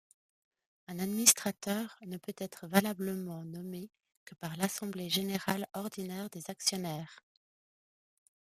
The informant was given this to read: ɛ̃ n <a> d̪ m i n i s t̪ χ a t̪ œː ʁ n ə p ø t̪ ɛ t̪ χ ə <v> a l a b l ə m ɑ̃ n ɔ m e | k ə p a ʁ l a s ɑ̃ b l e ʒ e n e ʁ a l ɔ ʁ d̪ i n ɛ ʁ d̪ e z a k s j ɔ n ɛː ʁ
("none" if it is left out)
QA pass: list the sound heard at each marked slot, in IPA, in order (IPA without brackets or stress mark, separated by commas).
a, v